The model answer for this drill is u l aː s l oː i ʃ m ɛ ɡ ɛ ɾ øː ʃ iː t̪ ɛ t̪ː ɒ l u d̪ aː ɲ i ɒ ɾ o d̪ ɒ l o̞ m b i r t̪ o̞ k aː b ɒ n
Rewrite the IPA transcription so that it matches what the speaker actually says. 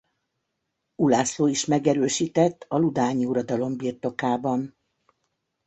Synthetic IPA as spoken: u l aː s l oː i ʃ m ɛ ɡ ɛ ɾ øː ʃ iː t̪ ɛ t̪ː ɒ l u d̪ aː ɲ i u ɾ ɒ d̪ ɒ l o̞ m b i r t̪ o̞ k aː b ɒ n